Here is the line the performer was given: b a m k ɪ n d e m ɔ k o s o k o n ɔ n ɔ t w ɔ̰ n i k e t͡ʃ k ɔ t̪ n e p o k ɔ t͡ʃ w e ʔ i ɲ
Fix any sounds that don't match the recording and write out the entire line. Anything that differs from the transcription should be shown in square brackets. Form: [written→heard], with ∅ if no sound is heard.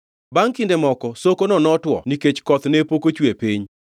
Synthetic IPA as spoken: b a [m→ŋ] k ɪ n d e m ɔ k [o→ɔ] s o k o n ɔ n ɔ t w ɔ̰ n i k e t͡ʃ k ɔ t̪ n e p o k [ɔ→o] t͡ʃ w e [ʔ→p] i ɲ